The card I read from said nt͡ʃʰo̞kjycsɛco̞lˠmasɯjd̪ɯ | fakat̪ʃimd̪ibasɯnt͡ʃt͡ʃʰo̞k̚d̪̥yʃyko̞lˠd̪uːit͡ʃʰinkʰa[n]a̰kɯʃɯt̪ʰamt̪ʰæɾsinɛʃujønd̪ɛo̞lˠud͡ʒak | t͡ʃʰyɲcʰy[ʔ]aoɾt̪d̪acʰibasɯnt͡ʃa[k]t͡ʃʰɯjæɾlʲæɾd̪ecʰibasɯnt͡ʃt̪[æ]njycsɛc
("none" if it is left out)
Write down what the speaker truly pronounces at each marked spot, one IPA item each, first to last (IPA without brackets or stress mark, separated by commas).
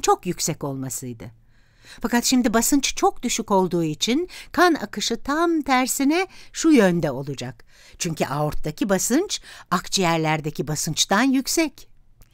n, ʔ, k, a